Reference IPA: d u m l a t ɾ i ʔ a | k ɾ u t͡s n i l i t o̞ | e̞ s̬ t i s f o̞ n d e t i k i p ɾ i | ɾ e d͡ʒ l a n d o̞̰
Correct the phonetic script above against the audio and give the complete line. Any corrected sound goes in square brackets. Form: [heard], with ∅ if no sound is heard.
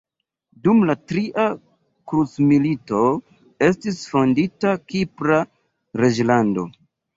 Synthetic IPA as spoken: d u m l a t ɾ i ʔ a | k ɾ u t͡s [m] i l i t o̞ | e̞ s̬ t i s f o̞ n d [i] t [a] k i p ɾ [a] | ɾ e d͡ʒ l a n d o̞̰